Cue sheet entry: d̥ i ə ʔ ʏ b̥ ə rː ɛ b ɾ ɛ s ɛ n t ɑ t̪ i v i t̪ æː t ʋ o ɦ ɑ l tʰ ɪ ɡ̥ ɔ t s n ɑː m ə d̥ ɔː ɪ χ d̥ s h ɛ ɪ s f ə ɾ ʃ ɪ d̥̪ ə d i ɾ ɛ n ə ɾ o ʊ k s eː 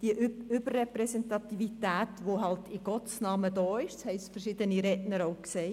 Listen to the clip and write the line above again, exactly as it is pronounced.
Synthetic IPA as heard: d̥ i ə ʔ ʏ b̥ ə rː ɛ p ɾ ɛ s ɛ n t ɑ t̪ i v i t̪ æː t ʋ o ɦ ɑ l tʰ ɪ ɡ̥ ɔ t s n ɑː m ə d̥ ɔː ɪ ʃ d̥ s h ɛ ɪ s f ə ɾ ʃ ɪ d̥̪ ə n i ɾ ɛ n ə ɾ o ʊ k s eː